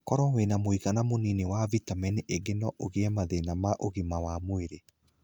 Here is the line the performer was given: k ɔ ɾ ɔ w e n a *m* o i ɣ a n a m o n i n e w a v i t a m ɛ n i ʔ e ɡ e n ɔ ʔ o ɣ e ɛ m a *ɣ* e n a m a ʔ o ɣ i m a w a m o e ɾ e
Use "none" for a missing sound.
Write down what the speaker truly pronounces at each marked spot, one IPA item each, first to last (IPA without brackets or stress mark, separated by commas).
m, ð